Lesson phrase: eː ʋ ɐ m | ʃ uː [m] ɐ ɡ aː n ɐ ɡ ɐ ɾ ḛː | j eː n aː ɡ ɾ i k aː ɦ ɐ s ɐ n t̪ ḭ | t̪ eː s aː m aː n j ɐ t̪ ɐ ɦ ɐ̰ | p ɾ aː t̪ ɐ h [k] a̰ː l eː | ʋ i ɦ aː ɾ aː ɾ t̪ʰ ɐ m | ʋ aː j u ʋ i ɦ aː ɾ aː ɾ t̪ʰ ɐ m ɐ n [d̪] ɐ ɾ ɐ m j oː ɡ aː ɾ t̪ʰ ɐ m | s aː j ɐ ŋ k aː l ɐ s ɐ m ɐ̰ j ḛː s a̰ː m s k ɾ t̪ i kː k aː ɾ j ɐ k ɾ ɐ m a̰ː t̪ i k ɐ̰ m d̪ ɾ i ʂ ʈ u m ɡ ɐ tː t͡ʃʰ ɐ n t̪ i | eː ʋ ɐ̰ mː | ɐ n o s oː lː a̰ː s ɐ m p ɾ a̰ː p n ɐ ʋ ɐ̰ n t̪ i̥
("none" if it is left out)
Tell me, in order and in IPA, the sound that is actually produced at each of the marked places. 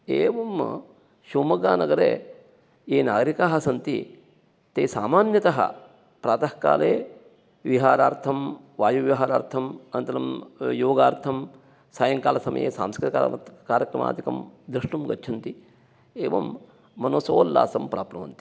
m, k, t̪

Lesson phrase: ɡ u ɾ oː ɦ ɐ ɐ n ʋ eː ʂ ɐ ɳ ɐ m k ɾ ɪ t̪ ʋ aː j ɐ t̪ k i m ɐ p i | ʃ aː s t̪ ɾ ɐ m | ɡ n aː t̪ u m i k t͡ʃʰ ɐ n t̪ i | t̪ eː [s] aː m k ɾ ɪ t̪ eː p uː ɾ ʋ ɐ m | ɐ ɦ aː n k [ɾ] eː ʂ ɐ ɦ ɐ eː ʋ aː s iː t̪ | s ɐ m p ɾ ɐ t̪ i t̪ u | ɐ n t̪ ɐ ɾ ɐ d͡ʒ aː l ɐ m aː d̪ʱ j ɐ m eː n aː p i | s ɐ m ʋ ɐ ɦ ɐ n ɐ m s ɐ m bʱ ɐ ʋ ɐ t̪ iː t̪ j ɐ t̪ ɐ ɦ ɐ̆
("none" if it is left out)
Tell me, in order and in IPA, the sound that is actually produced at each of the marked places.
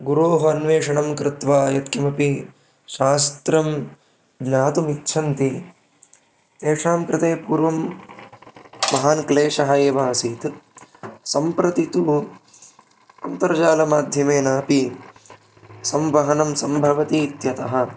ʂ, l

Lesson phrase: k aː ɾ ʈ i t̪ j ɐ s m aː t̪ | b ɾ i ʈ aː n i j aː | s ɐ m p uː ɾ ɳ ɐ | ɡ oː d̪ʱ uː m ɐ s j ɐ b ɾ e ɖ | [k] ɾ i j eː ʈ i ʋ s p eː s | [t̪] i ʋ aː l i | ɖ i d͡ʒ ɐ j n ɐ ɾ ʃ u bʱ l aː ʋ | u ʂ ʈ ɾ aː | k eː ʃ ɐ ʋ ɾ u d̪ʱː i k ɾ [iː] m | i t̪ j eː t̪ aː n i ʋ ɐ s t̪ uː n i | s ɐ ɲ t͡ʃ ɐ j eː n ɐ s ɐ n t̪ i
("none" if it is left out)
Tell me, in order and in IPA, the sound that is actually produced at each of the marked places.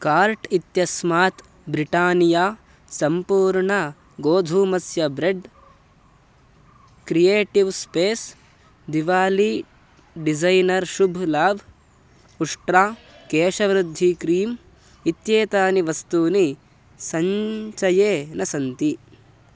k, d̪, iː

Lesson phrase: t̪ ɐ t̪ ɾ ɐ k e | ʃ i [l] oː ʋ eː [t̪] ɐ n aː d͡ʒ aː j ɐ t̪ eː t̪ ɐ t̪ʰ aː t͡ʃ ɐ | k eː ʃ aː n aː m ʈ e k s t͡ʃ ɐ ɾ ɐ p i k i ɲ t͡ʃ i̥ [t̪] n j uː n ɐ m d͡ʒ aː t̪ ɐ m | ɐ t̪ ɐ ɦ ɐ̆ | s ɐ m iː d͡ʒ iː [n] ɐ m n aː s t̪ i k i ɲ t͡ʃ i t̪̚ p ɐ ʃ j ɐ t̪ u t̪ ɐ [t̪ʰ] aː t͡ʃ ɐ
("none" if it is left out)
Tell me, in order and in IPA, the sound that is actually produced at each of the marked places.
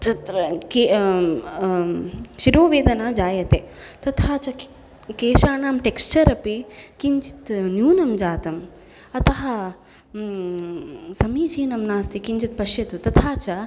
ɾ, d̪, t̪, n, t̪ʰ

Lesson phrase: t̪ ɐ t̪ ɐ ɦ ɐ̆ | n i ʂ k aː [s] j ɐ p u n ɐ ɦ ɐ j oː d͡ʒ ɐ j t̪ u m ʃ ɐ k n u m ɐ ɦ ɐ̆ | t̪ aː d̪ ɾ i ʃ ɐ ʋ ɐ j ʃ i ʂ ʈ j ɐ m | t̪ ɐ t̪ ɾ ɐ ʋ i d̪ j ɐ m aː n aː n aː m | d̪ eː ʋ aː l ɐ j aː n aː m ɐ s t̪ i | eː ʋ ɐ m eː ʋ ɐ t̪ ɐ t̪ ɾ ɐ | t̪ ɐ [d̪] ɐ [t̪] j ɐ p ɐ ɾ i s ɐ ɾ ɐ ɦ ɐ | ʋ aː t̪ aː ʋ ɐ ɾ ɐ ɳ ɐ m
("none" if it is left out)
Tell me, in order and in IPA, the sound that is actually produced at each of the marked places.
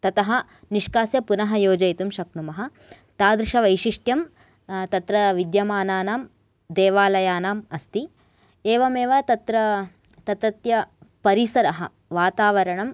s, t̪, t̪

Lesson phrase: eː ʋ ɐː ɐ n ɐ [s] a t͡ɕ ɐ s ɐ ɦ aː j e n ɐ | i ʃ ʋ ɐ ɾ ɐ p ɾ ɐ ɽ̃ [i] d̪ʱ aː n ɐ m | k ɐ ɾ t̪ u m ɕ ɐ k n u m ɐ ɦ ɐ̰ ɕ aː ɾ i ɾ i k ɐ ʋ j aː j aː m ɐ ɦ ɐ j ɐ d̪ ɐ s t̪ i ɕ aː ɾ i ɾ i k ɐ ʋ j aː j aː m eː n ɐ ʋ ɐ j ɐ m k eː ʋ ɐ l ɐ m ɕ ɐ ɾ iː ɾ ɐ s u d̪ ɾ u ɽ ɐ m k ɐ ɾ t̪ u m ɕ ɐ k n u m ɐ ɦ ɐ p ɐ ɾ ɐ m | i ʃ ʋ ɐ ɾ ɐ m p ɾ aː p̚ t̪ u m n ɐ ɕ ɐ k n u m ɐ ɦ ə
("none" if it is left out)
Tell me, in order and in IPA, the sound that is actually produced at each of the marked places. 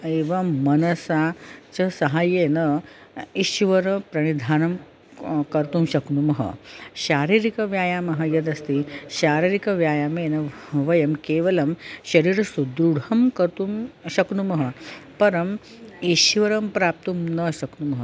s, i

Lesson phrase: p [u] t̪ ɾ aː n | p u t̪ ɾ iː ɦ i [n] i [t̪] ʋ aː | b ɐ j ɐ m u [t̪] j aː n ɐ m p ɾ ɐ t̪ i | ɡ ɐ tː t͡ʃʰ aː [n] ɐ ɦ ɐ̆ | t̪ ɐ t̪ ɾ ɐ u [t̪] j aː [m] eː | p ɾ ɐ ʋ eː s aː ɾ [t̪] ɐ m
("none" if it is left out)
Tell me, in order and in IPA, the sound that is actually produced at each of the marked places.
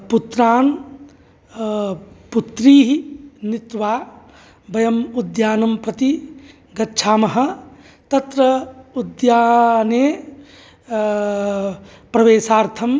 u, n, t̪, d̪, m, d̪, n, t̪ʰ

